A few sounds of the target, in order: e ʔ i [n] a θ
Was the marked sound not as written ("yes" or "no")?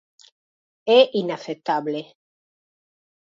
no